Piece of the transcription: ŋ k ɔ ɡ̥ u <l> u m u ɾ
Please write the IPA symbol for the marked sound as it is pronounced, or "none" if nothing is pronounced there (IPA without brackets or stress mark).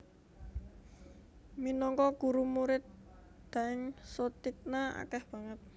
ɾ